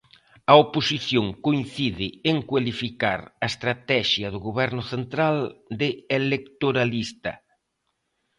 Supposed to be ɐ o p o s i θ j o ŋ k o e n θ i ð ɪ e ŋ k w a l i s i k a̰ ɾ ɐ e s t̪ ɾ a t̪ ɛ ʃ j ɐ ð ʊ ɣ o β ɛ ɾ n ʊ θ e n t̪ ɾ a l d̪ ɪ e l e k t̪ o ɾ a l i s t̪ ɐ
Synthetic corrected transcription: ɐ o p o s i θ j o ŋ k o i n θ i ð ɪ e ŋ k w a l i f i k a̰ ɾ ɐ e s t̪ ɾ a t̪ ɛ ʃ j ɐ ð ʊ ɣ o β ɛ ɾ n ʊ θ e n t̪ ɾ a l d̪ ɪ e l e k t̪ o ɾ a l i s t̪ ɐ